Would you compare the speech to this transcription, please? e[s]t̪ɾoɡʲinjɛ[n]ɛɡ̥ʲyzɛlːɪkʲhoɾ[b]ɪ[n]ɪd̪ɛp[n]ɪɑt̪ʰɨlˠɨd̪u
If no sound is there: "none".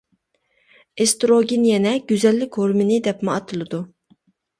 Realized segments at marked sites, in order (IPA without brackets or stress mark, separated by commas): s, n, m, n, m